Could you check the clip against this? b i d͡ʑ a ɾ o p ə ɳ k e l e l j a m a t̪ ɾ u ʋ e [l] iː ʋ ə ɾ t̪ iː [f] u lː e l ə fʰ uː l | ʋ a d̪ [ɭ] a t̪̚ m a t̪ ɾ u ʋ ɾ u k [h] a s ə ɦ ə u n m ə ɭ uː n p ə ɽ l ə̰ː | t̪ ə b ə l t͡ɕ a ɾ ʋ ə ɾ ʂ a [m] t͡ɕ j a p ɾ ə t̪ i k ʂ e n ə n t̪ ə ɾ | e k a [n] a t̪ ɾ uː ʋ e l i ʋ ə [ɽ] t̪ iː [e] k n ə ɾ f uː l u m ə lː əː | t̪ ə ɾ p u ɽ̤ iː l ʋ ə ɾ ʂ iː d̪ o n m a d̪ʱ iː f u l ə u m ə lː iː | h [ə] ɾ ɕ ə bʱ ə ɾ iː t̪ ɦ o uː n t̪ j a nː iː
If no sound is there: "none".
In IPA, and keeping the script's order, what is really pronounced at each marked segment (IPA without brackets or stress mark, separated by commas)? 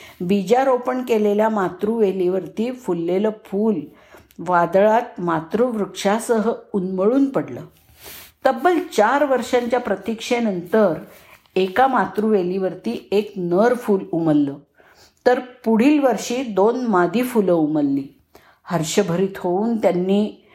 l, f, ɭ, ʂ, ɲ, m, ɾ, e, ə